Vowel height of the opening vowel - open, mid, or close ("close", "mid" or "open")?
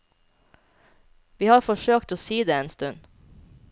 close